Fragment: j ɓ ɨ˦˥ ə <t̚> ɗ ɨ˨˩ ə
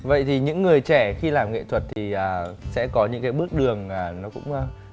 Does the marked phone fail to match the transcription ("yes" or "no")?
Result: yes